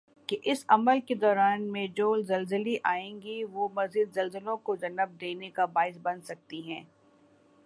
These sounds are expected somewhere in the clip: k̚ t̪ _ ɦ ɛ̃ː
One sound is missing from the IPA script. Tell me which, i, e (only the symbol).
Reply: i